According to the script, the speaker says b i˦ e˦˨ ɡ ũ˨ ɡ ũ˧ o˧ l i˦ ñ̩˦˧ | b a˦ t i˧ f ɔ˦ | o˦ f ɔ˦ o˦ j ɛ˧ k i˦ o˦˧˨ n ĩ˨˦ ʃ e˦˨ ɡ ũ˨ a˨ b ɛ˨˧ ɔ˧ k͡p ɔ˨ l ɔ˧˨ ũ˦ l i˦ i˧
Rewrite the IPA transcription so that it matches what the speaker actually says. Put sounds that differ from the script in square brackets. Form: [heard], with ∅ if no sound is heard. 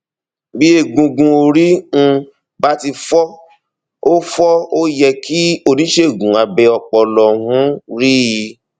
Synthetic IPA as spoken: b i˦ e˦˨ ɡ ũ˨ ɡ ũ˧ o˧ [ɾ] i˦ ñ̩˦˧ | b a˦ t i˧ f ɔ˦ | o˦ f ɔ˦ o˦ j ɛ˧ k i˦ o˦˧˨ n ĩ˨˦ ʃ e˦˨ ɡ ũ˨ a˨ b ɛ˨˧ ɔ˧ k͡p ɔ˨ l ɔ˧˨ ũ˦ [ɾ] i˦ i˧